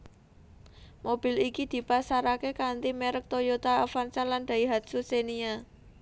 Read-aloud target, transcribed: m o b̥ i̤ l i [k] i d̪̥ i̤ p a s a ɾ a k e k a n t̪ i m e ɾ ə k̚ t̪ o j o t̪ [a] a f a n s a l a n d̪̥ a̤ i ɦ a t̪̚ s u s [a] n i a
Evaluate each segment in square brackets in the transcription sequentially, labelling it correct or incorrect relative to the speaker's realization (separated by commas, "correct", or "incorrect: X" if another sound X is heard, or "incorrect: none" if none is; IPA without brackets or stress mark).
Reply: correct, correct, incorrect: e